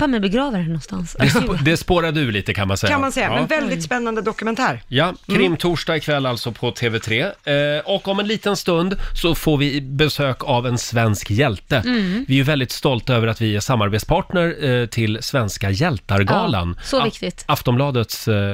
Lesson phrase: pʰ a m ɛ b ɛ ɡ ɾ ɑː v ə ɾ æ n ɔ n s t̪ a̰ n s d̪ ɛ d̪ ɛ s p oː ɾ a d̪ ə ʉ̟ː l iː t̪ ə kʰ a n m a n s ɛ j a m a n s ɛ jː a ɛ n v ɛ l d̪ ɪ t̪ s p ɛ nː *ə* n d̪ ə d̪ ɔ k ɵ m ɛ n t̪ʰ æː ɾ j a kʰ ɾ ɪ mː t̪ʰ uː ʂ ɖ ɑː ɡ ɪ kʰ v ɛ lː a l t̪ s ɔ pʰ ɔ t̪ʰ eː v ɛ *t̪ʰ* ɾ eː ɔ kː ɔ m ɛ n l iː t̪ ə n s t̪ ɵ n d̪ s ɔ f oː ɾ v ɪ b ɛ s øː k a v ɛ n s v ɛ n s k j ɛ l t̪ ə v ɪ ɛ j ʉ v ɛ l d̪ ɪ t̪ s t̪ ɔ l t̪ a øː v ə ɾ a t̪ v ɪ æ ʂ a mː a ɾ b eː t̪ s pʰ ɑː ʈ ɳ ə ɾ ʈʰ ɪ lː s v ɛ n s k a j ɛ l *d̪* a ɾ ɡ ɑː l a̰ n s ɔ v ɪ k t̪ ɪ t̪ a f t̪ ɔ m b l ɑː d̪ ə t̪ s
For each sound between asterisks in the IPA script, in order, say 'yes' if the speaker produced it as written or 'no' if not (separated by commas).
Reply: no, yes, no